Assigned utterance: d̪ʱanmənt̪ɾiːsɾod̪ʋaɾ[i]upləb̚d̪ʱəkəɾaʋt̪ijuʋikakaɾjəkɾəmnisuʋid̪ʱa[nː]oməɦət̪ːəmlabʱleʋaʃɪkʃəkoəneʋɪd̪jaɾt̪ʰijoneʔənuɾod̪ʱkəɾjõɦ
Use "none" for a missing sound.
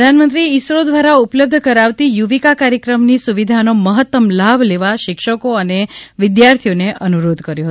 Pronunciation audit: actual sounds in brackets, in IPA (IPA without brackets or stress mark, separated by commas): a, n